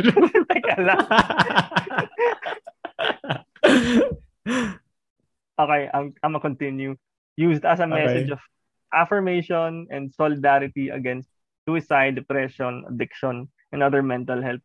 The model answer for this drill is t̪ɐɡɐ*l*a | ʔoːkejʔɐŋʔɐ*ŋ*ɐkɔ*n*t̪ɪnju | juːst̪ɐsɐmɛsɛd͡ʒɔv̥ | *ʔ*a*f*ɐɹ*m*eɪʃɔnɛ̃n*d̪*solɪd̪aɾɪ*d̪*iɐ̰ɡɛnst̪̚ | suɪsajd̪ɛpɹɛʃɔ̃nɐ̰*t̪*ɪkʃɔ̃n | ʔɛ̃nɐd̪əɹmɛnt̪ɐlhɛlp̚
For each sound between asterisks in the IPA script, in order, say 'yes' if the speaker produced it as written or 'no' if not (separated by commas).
yes, no, yes, yes, yes, yes, yes, no, no